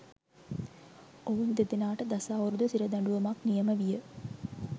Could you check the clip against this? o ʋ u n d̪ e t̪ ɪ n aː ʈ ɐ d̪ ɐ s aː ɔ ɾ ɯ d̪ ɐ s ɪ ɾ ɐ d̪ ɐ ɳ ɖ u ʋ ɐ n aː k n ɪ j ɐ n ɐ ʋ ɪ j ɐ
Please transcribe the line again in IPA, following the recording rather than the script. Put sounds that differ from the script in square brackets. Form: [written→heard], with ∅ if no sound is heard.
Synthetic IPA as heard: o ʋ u n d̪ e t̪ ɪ n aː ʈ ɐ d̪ ɐ s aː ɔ ɾ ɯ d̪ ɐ s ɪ ɾ ɐ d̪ ɐ ɳ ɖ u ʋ ɐ [n→m] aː k n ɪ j ɐ [n→m] ɐ ʋ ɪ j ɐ